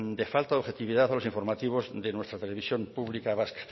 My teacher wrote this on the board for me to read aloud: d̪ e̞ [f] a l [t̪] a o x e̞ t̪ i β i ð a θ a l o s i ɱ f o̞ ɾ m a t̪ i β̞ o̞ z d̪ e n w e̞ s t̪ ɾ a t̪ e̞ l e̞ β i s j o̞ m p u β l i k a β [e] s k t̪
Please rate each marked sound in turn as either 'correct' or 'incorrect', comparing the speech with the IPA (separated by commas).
correct, correct, incorrect